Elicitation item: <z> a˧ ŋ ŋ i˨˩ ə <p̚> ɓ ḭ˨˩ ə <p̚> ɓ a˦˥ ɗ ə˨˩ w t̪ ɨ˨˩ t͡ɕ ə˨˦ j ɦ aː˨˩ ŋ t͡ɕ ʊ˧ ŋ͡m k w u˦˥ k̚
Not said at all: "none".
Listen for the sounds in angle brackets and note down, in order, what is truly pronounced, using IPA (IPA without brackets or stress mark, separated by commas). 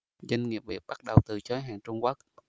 z, p̚, p̚